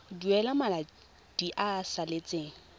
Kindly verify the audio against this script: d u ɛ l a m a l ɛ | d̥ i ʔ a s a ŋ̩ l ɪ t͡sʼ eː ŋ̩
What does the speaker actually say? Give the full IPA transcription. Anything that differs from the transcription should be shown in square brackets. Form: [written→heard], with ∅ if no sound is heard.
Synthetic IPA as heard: d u ɛ l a m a l [ɛ→a] | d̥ i ʔ a s a [ŋ̩→∅] l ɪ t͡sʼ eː ŋ̩